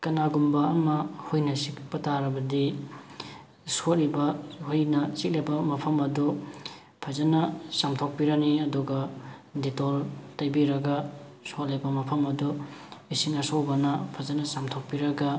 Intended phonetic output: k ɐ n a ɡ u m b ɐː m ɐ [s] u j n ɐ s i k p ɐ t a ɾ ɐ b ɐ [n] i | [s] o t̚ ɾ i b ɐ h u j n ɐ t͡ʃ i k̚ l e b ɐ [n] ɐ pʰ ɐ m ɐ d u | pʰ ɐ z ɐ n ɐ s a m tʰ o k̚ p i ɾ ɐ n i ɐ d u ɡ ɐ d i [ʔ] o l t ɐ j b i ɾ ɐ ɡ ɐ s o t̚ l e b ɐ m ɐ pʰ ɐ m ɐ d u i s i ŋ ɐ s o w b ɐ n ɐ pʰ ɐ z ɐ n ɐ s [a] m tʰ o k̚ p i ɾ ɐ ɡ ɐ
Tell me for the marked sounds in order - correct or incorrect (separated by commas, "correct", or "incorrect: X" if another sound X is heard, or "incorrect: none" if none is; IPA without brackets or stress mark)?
incorrect: h, incorrect: d, correct, incorrect: m, incorrect: t, correct